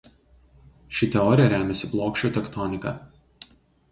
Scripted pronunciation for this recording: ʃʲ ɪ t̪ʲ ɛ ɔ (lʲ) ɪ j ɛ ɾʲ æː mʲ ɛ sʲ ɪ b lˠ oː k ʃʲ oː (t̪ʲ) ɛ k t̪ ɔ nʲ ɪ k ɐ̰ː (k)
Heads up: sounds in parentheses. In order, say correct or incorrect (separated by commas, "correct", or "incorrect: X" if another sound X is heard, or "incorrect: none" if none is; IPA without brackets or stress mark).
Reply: incorrect: ɾʲ, correct, incorrect: none